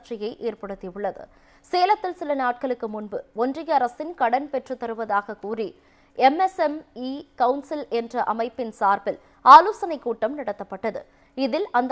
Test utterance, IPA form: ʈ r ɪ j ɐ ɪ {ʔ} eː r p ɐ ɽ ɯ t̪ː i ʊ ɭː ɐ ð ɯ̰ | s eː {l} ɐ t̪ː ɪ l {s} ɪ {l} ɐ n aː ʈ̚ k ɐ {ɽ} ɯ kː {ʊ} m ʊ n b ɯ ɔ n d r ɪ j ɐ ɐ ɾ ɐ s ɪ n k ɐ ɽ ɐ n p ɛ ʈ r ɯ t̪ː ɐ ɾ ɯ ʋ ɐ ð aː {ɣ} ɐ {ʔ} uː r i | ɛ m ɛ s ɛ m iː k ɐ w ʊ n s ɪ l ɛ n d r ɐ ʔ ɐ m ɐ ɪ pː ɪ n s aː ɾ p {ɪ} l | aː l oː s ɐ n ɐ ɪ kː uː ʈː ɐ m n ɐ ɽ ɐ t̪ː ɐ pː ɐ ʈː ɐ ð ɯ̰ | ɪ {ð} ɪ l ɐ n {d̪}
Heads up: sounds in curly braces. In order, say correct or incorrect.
correct, correct, correct, correct, incorrect: ɭ, incorrect: ɯ, correct, incorrect: k, correct, correct, correct

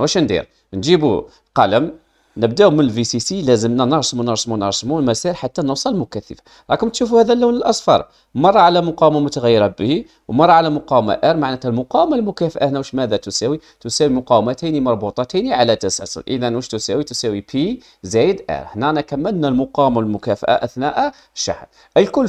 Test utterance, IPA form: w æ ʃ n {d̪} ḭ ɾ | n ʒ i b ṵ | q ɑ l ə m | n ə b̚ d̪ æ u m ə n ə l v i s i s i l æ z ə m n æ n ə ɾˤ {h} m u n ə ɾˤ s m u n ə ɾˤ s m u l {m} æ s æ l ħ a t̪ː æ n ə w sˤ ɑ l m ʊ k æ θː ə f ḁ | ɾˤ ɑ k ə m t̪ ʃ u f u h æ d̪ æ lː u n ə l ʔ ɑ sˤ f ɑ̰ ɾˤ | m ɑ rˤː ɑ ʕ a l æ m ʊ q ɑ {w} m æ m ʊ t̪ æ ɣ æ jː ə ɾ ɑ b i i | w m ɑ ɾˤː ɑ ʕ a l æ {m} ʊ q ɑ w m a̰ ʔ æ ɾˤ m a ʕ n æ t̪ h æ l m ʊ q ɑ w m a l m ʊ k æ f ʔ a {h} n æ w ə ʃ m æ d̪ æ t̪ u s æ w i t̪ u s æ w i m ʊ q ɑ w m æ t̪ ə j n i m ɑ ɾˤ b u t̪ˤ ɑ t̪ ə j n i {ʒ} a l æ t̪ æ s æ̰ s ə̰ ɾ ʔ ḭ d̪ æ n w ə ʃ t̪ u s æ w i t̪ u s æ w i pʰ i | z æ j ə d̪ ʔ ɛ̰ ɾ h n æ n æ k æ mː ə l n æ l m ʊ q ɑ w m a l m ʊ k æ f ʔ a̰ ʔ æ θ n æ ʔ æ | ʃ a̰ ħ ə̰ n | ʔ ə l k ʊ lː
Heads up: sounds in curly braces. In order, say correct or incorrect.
correct, incorrect: s, correct, correct, correct, correct, incorrect: ʕ

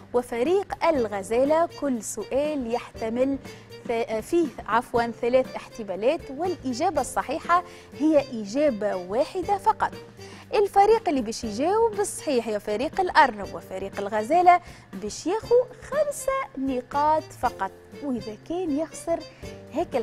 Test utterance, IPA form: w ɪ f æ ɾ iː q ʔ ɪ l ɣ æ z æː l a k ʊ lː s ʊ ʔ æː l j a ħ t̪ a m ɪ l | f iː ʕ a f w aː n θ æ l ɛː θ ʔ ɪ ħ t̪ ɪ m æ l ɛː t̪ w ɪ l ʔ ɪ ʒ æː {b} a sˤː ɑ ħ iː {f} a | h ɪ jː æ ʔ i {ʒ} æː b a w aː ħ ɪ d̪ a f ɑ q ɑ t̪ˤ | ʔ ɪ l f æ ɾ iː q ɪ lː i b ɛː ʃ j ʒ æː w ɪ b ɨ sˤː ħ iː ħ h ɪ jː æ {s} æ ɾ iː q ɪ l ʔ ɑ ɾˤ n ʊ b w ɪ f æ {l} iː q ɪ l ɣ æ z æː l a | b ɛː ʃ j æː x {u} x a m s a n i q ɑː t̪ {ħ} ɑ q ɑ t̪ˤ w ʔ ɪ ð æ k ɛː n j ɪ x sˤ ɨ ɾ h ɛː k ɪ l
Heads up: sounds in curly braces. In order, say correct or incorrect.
correct, incorrect: ħ, correct, incorrect: f, incorrect: ɾ, correct, incorrect: f

